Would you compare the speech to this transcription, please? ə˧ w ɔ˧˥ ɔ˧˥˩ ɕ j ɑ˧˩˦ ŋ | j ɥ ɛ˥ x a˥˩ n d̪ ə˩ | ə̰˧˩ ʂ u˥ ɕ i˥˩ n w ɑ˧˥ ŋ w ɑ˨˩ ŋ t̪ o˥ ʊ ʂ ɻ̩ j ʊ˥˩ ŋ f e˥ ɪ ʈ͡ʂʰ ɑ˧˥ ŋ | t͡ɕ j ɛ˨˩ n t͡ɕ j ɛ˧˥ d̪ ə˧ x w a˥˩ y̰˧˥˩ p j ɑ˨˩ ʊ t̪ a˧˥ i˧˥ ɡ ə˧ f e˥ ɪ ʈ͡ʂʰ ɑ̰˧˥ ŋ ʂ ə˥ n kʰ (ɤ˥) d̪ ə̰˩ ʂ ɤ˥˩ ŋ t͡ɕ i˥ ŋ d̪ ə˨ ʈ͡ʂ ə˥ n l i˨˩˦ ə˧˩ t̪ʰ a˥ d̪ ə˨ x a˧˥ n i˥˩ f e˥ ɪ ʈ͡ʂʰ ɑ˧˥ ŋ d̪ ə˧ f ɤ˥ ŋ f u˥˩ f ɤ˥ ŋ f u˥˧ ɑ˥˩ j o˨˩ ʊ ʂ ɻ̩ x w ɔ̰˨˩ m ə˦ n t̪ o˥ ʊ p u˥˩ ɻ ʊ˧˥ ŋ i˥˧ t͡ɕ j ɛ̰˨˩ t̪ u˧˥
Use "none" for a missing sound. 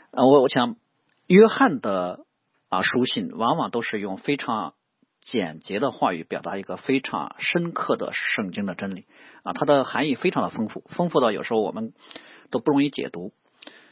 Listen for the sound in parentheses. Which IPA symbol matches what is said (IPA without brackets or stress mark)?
ɤ˥˩